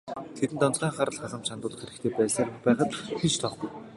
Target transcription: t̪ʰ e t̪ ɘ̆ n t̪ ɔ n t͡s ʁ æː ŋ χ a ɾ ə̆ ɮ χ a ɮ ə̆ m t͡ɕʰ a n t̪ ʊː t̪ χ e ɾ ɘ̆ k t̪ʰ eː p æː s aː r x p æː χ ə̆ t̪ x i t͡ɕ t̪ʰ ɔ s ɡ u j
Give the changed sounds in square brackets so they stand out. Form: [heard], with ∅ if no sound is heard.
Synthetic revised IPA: t̪ʰ e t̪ ɘ̆ n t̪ ɔ n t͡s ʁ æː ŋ χ a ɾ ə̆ ɮ χ a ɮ ə̆ m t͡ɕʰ a n t̪ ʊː t̪ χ e ɾ ɘ̆ k t̪ʰ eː p æː s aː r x p æː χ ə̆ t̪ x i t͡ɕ t̪ʰ ɔ [χ] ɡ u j